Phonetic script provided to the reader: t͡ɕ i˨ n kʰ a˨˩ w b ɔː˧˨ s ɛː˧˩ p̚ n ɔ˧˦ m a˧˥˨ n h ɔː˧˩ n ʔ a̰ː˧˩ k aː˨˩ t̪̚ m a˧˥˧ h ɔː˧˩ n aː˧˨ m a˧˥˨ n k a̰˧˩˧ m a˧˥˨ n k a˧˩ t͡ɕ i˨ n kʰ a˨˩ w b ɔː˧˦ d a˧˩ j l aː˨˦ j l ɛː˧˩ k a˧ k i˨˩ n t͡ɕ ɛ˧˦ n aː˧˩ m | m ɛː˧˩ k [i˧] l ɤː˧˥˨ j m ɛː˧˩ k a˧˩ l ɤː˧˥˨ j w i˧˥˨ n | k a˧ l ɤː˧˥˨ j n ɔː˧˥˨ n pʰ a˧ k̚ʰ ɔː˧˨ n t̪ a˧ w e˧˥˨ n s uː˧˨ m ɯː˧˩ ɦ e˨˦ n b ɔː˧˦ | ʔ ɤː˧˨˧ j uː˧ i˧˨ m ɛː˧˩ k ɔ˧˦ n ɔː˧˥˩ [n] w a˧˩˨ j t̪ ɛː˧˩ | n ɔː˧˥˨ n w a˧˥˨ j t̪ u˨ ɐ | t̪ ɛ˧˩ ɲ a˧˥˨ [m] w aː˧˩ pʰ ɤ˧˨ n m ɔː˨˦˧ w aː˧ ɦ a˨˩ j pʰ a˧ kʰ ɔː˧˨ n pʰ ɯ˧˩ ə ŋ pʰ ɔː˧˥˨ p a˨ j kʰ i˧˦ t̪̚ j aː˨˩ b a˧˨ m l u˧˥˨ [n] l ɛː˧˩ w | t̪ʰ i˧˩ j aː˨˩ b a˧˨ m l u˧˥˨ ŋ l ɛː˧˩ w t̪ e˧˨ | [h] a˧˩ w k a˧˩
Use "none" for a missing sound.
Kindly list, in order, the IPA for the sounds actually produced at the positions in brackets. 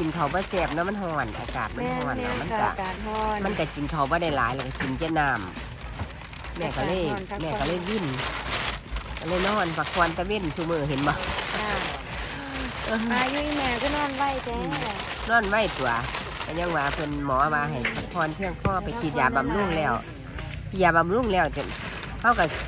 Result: a˧, n, ŋ, ŋ, h

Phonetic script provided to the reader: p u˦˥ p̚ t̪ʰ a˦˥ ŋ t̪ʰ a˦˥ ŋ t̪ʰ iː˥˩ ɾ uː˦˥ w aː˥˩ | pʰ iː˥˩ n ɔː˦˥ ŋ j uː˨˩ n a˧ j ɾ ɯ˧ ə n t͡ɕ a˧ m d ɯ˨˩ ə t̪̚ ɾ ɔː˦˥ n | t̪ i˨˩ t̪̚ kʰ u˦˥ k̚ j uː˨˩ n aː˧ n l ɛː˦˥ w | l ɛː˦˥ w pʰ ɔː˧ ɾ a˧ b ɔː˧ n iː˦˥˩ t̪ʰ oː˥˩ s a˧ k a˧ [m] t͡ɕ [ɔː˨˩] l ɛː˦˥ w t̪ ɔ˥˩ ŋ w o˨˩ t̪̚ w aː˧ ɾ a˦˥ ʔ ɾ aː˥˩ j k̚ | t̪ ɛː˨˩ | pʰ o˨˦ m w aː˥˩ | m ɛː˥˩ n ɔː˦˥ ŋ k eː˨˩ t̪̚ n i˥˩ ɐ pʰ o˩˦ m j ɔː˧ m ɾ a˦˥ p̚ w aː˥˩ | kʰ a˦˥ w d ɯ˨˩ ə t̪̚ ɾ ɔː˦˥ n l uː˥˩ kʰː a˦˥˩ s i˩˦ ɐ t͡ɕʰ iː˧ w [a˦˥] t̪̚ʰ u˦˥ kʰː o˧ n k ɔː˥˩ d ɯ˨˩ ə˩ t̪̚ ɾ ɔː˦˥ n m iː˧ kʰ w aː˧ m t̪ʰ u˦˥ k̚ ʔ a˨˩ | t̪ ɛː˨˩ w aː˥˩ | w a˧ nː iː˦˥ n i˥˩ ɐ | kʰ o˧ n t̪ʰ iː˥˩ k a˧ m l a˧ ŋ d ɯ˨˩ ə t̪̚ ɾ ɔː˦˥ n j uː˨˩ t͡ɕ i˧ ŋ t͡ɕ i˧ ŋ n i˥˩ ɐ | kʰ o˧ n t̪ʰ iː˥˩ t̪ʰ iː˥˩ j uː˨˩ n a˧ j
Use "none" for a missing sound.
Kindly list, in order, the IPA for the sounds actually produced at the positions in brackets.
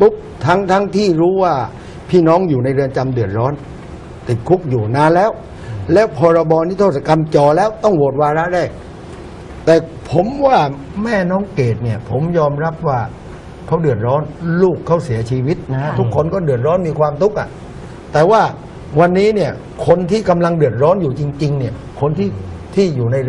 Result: m, ɔː˨˩, i˦˥

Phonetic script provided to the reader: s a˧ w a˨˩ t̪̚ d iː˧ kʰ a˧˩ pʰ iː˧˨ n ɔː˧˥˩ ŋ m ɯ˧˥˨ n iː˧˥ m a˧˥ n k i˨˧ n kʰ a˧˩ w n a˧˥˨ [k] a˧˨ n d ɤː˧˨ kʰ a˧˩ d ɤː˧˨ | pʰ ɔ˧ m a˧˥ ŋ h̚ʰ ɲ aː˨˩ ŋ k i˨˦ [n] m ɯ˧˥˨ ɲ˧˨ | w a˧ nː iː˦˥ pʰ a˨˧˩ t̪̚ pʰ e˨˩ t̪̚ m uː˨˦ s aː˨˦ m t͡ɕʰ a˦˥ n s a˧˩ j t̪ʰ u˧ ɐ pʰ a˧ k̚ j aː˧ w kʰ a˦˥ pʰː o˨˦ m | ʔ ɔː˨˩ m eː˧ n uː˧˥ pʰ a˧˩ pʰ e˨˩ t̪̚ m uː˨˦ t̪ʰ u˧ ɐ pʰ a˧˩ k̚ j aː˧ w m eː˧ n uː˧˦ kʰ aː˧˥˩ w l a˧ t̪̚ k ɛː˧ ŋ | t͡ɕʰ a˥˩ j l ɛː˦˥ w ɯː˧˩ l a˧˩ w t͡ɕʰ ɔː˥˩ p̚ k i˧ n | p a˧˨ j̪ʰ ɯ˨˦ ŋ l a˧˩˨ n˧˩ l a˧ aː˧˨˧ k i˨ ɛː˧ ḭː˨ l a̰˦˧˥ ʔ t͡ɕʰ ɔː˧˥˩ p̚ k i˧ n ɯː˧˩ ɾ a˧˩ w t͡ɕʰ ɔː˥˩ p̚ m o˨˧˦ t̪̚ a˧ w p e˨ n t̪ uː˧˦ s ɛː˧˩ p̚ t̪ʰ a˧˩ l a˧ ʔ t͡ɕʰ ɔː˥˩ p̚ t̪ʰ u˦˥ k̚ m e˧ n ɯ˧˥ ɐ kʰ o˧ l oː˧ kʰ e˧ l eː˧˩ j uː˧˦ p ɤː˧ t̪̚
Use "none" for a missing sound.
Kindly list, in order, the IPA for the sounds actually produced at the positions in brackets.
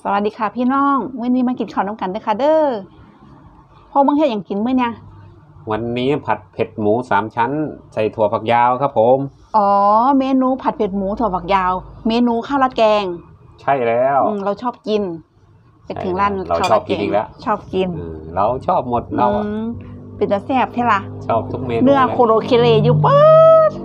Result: k, n

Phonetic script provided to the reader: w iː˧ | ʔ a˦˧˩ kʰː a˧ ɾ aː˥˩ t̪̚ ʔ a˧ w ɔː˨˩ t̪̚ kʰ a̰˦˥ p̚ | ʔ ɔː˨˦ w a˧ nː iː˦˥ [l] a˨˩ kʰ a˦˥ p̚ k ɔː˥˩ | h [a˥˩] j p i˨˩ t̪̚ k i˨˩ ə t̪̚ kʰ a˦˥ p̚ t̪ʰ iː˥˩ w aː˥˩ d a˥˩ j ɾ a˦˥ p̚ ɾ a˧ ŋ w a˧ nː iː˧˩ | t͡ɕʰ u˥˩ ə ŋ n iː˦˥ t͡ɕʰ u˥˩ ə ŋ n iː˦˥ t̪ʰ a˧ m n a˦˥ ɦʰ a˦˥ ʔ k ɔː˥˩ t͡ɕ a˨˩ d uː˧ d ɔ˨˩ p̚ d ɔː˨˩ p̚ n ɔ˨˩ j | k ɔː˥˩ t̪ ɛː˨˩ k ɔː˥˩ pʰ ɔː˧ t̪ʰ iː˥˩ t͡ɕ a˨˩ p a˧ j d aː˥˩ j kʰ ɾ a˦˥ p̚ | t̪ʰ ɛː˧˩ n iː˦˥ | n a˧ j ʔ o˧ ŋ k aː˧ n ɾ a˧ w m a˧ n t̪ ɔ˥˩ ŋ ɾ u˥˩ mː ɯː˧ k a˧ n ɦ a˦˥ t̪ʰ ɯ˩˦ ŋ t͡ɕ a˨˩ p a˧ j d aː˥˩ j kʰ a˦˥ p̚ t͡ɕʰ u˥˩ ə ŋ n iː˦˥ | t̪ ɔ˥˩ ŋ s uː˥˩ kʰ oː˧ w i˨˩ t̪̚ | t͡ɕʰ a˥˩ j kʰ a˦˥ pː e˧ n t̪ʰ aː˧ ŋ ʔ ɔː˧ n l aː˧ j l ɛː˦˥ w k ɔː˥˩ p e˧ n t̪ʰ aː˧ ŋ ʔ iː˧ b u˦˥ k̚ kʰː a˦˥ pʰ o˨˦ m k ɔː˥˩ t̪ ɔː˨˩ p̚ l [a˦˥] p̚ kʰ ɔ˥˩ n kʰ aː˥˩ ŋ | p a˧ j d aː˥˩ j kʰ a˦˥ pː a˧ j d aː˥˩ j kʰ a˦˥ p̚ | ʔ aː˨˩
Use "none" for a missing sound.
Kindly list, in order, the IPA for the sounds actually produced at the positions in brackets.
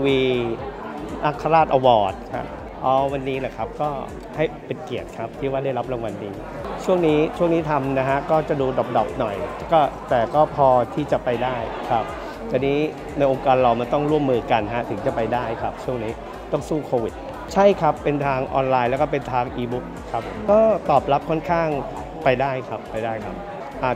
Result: l, a˥˩, a˦˥

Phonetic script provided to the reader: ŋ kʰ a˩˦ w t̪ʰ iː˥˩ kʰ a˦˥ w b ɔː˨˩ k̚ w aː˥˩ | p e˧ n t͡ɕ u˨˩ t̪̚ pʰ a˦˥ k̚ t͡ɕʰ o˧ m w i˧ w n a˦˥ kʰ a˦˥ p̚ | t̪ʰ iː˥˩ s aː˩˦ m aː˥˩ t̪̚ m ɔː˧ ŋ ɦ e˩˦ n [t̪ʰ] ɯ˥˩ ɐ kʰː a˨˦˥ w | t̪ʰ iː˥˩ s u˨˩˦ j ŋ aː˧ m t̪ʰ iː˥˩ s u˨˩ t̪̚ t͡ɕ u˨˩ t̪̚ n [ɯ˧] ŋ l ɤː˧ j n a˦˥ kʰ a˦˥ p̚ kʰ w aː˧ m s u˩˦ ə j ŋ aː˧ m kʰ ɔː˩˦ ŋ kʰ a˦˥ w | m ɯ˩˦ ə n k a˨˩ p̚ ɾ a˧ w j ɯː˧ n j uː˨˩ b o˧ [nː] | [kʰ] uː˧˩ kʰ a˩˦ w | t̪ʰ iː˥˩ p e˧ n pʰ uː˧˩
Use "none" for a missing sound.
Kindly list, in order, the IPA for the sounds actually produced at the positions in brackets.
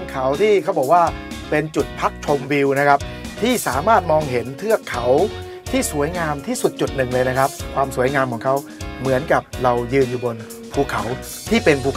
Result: t̪ʰ, ɯ˨˩, n, pʰ

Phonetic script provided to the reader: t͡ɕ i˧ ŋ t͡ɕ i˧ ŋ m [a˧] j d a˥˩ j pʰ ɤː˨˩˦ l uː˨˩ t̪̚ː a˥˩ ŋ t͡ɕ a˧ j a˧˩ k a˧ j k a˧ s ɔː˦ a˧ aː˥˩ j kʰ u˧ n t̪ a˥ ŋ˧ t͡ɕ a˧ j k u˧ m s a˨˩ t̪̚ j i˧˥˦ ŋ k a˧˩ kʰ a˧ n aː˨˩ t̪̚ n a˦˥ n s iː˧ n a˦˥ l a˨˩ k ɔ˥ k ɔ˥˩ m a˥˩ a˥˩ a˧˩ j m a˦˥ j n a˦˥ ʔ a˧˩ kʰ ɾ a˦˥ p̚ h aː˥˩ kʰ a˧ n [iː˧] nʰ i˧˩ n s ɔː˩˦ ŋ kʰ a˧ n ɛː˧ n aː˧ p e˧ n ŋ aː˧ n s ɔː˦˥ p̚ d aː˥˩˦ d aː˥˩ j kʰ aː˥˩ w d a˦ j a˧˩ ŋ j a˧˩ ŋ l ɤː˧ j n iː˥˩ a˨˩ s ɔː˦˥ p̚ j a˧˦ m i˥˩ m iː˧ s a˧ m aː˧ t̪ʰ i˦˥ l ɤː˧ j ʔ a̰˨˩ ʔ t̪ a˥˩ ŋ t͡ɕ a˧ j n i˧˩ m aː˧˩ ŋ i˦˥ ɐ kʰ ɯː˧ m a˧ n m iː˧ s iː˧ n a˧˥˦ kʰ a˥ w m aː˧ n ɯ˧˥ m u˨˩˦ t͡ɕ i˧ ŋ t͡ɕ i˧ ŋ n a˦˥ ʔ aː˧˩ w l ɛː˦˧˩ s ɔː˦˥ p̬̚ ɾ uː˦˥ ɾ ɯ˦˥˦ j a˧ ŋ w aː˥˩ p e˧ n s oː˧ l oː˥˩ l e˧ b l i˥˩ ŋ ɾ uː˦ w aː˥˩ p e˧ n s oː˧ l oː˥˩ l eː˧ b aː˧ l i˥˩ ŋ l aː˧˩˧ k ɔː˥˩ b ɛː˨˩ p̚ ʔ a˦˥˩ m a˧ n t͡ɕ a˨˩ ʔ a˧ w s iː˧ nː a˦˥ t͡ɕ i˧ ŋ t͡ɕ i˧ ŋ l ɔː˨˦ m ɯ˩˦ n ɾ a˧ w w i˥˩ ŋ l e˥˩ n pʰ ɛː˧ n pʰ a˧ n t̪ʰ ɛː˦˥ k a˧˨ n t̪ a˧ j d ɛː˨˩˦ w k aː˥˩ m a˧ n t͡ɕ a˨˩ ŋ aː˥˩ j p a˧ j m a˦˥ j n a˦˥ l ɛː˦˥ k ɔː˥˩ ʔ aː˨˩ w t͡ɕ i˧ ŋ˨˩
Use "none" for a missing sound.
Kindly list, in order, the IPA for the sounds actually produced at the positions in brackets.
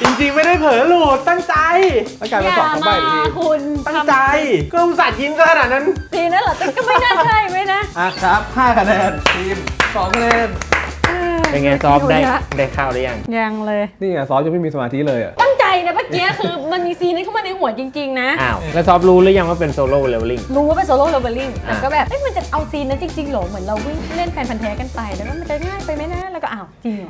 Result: a˥˩, ɛː˧

